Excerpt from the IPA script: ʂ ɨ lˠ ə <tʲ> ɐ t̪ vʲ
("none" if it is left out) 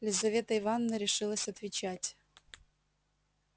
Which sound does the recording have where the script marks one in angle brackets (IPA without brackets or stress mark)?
sʲ